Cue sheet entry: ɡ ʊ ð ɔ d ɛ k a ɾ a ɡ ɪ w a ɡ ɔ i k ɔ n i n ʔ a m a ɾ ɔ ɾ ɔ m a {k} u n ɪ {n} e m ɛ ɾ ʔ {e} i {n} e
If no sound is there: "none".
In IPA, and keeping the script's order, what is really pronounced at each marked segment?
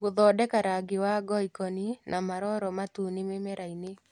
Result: t, m, a, n

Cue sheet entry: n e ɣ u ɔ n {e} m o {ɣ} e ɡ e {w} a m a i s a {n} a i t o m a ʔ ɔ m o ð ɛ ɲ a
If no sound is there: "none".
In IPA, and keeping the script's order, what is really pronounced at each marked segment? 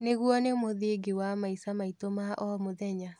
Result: e, ð, w, m

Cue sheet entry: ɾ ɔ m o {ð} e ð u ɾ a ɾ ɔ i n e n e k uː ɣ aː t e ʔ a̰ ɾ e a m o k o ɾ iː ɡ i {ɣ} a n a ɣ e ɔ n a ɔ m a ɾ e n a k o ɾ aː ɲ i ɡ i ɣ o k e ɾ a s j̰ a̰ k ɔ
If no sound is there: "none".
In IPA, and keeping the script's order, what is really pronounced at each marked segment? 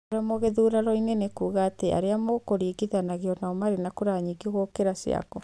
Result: ɣ, ð

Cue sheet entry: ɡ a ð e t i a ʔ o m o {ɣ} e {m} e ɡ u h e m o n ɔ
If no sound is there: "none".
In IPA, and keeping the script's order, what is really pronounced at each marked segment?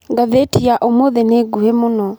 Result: ð, n

